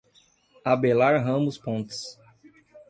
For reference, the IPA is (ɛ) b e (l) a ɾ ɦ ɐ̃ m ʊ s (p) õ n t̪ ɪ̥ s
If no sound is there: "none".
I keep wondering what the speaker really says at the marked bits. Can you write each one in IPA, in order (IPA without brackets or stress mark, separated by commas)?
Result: a, l, p